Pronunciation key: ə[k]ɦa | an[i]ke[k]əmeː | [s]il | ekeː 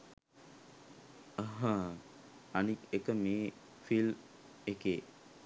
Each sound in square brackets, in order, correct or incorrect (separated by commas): incorrect, correct, correct, incorrect